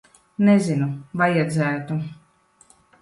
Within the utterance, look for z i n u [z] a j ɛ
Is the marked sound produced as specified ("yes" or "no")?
no